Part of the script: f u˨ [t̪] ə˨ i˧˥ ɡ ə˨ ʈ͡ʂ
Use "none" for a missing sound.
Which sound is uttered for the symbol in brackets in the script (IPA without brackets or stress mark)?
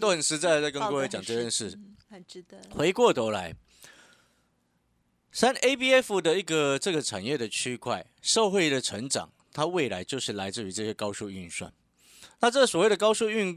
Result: d̪